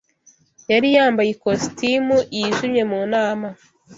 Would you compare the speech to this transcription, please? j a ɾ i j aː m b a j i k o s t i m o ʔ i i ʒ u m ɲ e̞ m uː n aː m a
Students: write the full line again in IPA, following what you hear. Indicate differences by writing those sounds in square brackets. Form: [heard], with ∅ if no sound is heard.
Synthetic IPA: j a ɾ i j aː m b a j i k o s t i m [u] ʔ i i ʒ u m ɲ e̞ m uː n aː m a